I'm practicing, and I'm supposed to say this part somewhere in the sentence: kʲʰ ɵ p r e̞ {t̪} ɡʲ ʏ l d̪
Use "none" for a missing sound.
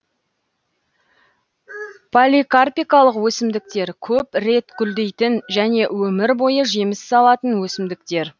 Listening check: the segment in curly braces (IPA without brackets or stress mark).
t̪